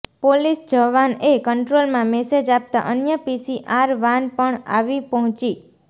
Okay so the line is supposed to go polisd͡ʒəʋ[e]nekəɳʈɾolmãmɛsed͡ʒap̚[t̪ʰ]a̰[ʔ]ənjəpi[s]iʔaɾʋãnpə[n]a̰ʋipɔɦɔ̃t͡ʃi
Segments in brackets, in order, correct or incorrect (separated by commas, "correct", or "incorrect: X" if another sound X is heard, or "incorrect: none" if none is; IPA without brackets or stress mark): incorrect: a, incorrect: t̪, correct, correct, incorrect: ɳ